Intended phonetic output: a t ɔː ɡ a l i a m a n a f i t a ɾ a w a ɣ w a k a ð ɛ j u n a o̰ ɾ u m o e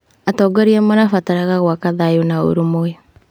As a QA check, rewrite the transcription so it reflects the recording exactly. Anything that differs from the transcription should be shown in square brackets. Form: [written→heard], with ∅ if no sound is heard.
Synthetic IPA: a t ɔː ɡ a [l→ɾ] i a m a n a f [i→a] t a ɾ a [w→ɣ] a ɣ w a k a ð [ɛ→a] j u n a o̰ ɾ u m o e